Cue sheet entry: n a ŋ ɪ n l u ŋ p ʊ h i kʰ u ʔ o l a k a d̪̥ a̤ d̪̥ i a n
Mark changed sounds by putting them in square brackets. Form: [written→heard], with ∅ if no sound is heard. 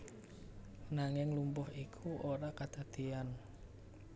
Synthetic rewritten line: n a ŋ ɪ [n→ŋ] l u [ŋ→m] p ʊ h i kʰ u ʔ o [l→ɾ] a k a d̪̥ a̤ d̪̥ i a n